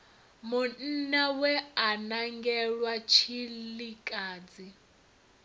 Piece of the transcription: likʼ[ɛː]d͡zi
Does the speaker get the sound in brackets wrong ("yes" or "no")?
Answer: yes